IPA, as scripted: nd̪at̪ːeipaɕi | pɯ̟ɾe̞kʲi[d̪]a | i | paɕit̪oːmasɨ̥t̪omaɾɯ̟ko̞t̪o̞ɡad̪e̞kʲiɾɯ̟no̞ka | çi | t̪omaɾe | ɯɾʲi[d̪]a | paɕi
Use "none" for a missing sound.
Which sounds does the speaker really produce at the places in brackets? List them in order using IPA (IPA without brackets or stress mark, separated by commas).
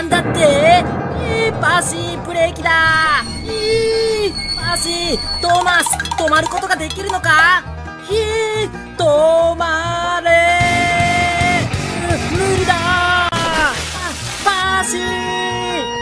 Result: d̪, d̪